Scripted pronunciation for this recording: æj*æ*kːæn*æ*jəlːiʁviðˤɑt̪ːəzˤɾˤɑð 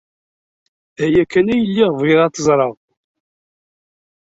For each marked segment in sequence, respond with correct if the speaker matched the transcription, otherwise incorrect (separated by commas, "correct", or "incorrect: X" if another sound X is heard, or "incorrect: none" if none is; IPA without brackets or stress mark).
correct, correct